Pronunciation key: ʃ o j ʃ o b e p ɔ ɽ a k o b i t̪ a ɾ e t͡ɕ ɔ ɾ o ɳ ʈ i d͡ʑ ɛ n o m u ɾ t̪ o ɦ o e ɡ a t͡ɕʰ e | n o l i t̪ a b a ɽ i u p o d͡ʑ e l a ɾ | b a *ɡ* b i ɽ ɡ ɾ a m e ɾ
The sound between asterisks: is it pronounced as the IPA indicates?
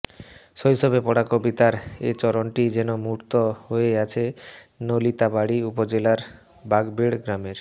yes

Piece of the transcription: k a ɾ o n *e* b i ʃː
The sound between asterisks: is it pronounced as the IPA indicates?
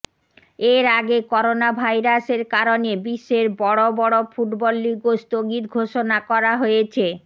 yes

